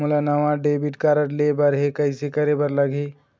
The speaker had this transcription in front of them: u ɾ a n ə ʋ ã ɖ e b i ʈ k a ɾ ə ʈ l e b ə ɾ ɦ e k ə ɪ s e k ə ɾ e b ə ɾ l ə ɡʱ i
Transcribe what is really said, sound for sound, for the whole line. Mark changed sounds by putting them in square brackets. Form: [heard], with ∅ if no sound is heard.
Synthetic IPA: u [l] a n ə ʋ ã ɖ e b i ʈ k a ɾ ə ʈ l e b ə ɾ ɦ e k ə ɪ s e k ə ɾ e b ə ɾ l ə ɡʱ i